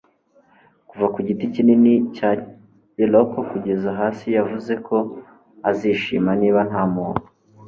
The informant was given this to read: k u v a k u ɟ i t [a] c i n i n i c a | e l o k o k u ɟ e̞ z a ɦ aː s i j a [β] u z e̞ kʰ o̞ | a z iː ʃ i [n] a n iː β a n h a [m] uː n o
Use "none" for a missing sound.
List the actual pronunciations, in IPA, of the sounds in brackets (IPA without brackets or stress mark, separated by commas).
i, v, m, m